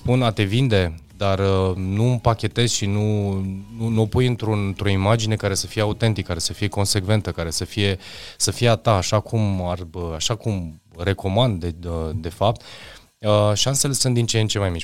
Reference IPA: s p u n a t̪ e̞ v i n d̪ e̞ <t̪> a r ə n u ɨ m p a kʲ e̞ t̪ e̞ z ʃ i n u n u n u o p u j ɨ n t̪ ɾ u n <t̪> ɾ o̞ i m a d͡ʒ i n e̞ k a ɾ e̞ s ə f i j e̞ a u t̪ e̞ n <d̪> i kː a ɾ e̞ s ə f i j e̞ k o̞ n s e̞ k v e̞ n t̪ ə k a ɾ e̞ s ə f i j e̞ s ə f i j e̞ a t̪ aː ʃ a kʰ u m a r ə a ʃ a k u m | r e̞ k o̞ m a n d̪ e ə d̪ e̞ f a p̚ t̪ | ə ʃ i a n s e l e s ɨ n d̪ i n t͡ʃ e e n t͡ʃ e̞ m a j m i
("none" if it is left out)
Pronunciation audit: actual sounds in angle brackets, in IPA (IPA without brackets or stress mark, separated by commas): d̪, t̪, t̪